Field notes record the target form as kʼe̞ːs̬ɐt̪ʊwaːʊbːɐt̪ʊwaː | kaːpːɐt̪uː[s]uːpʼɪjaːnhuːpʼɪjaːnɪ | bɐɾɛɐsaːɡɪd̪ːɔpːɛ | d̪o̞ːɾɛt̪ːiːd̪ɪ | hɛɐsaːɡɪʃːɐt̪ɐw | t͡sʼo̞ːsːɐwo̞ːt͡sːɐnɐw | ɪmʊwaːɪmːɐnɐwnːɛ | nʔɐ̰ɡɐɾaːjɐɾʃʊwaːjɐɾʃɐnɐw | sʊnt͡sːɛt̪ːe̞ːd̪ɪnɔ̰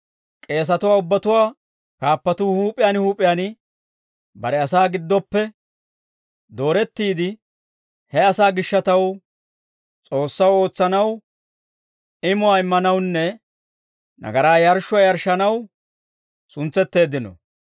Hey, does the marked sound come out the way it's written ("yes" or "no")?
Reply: no